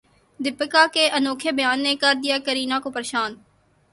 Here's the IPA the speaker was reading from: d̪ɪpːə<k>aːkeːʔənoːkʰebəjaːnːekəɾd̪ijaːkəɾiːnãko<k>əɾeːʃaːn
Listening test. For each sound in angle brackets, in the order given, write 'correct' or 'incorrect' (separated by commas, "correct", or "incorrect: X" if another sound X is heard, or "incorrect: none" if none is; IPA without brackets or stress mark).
correct, incorrect: p